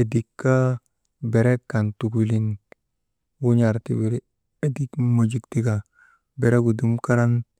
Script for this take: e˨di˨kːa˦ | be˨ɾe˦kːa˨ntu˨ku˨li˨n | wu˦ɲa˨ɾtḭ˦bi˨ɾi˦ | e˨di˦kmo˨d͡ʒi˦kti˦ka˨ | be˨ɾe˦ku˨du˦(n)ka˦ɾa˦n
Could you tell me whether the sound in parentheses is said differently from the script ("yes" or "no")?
yes